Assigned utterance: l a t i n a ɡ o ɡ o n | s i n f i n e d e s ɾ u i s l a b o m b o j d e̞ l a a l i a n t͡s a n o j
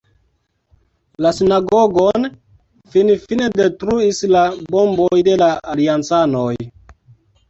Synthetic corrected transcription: l a s i n a ɡ o ɡ o n | f i n f i n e d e t ɾ u i s l a b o m b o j d e̞ l a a l i a n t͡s a n o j